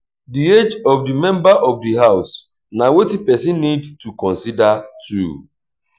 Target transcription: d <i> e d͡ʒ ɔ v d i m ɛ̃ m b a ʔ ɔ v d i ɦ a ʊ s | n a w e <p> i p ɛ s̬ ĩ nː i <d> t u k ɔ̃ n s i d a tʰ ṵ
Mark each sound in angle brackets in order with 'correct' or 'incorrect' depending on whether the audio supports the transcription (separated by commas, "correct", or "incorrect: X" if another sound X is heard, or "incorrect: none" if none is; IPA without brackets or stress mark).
correct, incorrect: t, correct